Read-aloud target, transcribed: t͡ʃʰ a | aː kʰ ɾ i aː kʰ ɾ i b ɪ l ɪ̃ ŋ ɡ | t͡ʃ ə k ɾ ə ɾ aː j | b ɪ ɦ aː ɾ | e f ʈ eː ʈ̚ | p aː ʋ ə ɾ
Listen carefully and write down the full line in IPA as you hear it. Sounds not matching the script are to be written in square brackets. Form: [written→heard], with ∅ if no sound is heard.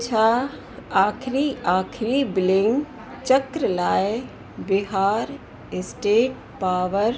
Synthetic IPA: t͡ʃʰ a | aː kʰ ɾ i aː kʰ ɾ i b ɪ l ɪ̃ ŋ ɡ | t͡ʃ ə k ɾ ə [ɾ→l] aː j | b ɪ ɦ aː ɾ | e [f→s] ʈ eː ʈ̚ | p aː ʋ ə ɾ